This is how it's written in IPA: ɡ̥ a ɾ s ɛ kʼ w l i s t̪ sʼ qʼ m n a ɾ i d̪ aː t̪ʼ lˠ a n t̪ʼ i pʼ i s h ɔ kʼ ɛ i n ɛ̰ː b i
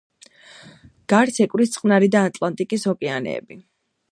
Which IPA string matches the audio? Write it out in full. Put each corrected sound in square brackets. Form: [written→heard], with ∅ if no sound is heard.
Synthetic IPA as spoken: ɡ̥ a ɾ s ɛ kʼ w [l→ɾ] i s t̪ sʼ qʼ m n a ɾ i d̪ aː t̪ʼ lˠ a n t̪ʼ i [pʼ→kʼ] i s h ɔ kʼ ɛ [i→a] n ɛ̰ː b i